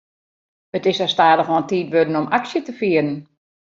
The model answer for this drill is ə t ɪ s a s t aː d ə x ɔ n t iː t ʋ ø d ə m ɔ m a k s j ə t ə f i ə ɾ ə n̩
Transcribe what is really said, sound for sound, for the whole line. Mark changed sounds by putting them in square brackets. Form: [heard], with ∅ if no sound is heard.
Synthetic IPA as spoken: ə t ɪ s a s t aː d ə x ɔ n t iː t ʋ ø d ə [n] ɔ m a k s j ə t ə f i ə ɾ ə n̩